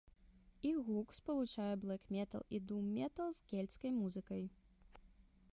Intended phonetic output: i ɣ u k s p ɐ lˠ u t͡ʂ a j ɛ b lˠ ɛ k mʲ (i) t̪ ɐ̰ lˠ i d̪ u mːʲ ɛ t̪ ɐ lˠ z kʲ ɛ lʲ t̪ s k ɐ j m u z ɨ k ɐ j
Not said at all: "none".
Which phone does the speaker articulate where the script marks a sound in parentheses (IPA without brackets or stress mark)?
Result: ɛ